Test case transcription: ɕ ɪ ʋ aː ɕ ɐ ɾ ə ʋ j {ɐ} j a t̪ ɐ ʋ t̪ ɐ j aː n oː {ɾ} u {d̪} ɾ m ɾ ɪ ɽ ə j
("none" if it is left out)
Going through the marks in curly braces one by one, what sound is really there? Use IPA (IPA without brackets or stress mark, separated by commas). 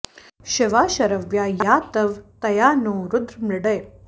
a, ɾ, d̪